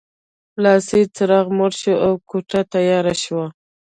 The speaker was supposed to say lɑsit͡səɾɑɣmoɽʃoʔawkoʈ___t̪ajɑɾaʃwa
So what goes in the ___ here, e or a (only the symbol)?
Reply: a